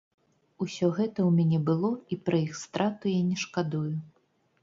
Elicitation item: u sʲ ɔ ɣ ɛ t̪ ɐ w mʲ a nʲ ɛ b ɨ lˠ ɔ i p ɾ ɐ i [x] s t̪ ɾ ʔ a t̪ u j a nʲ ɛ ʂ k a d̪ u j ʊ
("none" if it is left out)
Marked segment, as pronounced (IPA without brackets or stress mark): x